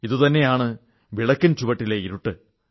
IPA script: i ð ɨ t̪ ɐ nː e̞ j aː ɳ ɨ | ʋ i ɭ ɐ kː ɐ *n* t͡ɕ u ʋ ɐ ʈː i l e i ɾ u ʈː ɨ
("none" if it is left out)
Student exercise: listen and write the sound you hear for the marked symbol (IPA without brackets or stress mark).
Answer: n